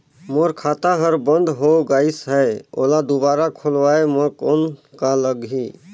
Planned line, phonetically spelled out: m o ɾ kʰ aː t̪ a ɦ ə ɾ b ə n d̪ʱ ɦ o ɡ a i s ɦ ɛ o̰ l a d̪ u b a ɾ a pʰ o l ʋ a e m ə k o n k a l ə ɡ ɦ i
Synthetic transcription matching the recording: m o ɾ kʰ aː t̪ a ɦ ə ɾ b ə n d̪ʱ ɦ o ɡ a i s ɦ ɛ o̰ l a d̪ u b a ɾ a kʰ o l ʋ a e m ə k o n k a l ə ɡ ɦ i